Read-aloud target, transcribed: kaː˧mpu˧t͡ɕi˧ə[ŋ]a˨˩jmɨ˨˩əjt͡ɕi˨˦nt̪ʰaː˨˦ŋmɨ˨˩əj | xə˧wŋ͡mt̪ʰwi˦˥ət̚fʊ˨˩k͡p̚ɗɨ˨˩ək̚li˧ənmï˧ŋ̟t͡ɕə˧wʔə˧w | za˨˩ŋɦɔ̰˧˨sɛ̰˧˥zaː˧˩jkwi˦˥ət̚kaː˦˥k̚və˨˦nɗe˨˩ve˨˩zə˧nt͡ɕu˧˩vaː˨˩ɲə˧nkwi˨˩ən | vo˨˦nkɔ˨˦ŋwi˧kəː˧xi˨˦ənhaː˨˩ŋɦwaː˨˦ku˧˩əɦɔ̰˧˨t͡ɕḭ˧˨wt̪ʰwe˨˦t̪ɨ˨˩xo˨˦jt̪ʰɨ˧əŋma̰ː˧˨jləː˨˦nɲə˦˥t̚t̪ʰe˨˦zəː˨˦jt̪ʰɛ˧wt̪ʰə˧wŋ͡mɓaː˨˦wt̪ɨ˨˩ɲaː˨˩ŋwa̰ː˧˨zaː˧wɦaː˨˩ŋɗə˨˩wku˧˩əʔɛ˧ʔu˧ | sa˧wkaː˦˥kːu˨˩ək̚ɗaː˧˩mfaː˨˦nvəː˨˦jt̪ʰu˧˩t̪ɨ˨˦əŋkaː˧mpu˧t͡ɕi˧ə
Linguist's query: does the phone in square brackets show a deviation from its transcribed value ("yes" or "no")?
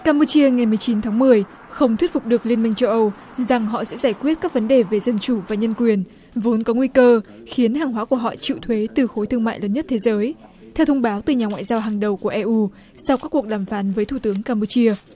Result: no